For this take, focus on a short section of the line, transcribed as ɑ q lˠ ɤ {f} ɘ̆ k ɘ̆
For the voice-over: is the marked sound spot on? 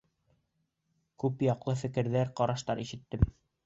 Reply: yes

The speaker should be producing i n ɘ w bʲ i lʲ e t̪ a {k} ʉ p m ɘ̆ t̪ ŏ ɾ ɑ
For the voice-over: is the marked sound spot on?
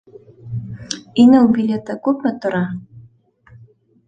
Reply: yes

